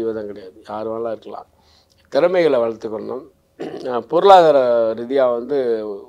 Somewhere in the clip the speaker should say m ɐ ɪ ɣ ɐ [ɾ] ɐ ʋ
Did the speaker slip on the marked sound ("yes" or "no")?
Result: yes